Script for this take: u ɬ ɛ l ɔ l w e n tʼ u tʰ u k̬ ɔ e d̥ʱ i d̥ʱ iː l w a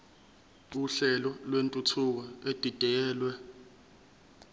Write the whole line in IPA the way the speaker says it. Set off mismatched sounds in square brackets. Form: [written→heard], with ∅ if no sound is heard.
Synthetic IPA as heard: u ɬ ɛ l ɔ l w e n tʼ u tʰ u k̬ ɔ e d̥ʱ i d̥ʱ [iː→ɛː] l w [a→ɛ]